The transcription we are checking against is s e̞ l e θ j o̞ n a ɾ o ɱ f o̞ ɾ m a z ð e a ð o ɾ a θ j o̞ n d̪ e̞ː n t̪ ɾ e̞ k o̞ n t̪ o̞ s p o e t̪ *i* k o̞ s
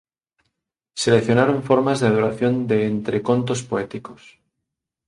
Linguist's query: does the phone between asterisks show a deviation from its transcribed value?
no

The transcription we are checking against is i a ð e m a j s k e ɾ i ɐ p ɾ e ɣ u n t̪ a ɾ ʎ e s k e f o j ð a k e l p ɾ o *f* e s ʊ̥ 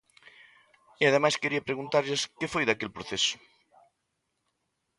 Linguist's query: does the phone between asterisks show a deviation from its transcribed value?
yes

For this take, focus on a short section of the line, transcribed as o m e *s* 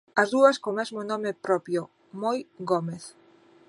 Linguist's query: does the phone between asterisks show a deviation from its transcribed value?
yes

